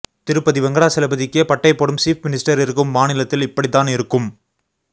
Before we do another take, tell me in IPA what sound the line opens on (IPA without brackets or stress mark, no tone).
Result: t̪